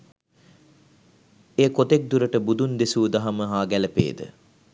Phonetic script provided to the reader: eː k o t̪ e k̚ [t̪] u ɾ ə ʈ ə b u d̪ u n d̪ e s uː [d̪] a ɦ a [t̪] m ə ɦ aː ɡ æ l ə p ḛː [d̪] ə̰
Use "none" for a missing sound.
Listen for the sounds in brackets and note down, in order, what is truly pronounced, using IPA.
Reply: d̪, d̪, none, d̪

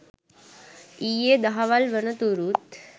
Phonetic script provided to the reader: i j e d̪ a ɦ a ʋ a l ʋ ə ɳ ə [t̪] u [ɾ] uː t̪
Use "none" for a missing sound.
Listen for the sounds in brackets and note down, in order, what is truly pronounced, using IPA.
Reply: t̪, ɾ

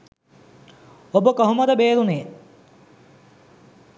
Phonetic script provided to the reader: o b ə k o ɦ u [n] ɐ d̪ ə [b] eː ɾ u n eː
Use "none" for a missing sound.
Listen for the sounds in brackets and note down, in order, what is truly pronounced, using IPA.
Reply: m, b

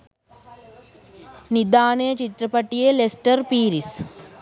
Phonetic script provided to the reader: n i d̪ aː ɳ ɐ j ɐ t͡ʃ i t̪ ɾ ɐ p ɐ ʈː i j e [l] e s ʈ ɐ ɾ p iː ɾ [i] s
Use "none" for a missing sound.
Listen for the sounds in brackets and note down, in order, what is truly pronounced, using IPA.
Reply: l, i

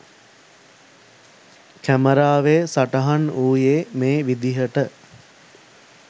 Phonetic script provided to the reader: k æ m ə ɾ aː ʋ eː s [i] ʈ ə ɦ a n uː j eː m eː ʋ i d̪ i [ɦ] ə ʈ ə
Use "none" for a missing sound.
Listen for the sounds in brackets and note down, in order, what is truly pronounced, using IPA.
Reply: a, ɦ

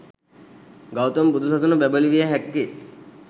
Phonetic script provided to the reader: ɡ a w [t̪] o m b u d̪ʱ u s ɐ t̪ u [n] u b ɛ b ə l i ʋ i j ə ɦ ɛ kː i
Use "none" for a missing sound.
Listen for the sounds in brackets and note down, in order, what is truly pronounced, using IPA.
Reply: t̪, n

